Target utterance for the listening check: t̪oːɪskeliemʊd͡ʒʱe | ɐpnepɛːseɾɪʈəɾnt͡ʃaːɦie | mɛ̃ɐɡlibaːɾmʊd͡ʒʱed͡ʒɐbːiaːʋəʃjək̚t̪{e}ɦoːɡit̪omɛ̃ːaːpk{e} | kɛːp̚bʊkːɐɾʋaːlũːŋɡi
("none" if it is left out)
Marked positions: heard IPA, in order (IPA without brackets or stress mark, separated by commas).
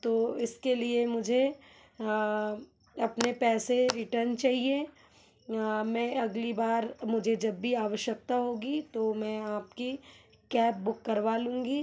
a, i